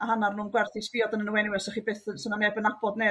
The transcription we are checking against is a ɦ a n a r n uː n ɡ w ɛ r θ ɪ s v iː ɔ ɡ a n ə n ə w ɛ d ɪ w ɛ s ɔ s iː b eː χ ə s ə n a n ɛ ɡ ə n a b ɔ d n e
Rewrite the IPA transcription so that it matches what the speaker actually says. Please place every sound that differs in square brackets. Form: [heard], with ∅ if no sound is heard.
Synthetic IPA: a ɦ a n a r n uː n ɡ w ɛ r θ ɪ s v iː ɔ [d] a n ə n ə w ɛ [n] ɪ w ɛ s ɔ [χ] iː b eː [θ] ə s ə n a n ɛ [b] ə n a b ɔ d n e